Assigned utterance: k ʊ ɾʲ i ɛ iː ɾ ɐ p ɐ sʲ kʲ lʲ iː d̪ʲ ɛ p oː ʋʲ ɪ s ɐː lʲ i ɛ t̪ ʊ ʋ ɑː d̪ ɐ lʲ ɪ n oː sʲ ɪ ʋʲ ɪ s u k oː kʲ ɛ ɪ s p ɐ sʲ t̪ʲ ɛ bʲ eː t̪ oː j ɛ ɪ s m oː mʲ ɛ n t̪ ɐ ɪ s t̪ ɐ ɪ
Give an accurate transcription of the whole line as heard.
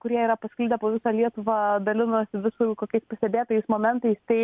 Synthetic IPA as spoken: k ʊ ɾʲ i ɛ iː ɾ ɐ p ɐ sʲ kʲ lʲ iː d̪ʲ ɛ p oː ʋʲ ɪ s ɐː lʲ i ɛ t̪ ʊ ʋ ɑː d̪ ɐ lʲ ɪ n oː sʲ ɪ ʋʲ ɪ s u k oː kʲ ɛ ɪ s p ɐ sʲ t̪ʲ ɛ bʲ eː t̪ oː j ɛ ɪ s m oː mʲ ɛ n t̪ ɐ ɪ s t̪ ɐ ɪ